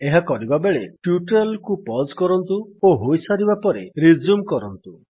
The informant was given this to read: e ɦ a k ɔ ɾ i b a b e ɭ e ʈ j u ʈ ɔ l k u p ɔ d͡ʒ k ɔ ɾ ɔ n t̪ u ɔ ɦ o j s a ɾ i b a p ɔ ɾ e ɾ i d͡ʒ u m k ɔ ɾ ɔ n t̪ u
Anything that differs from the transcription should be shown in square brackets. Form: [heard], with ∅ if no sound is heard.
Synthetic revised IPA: e ɦ a k ɔ ɾ i b a b e ɭ e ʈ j u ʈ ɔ l k u p ɔ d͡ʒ k ɔ ɾ ɔ n t̪ u [o] ɦ o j s a ɾ i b a p ɔ ɾ e ɾ i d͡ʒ u m k ɔ ɾ ɔ n t̪ u